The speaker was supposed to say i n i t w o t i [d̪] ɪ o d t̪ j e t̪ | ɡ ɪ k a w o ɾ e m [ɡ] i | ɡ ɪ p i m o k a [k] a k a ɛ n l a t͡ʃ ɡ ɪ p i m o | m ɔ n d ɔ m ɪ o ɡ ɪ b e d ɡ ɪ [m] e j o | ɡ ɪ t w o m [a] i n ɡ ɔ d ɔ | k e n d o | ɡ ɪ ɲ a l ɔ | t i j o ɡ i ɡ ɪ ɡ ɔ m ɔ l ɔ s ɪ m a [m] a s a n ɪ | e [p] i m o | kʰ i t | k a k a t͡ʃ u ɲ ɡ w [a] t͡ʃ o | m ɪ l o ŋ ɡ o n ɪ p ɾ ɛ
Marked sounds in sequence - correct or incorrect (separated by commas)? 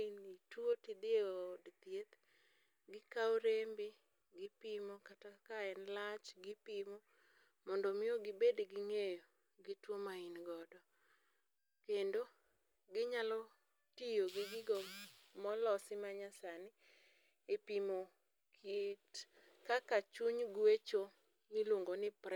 correct, incorrect, incorrect, incorrect, correct, incorrect, correct, incorrect